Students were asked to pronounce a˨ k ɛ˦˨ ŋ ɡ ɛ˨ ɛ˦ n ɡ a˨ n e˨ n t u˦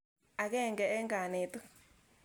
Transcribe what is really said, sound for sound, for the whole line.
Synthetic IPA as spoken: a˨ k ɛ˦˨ ŋ ɡ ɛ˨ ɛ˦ ŋ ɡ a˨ n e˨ t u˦